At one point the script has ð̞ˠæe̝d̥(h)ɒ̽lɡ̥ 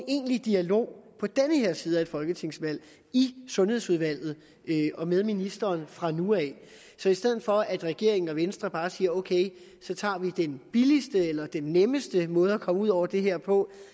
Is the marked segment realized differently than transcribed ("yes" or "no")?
yes